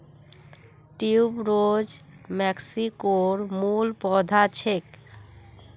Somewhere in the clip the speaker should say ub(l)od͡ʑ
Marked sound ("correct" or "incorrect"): incorrect